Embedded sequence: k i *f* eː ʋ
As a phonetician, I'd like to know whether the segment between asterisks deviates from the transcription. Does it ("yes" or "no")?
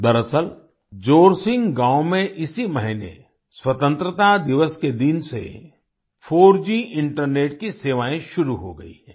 yes